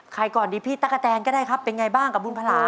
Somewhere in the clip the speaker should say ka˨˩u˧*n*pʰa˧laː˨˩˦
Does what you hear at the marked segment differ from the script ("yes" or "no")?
no